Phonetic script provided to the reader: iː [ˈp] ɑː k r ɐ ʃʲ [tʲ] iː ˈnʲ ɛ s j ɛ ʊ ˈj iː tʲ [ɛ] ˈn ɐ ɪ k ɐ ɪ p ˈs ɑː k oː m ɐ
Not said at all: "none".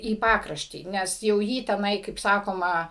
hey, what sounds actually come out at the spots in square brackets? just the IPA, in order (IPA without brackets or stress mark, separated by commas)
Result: p, tʲ, ɛ